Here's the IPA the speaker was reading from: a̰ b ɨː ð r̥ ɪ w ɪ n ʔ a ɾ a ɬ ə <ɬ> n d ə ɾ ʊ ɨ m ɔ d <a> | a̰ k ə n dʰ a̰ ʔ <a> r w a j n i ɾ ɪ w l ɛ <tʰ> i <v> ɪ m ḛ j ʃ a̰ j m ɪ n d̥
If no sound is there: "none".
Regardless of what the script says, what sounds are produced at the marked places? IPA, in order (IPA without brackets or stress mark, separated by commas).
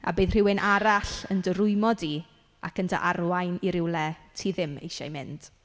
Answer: none, i, a, tʰ, ð